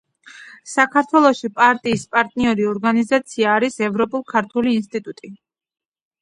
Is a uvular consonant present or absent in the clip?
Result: absent